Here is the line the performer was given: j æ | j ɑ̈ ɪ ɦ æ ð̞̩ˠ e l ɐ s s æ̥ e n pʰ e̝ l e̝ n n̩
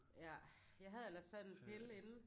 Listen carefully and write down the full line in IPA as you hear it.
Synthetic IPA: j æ | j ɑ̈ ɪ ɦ æ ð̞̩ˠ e l ɐ s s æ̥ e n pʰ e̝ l e̝ n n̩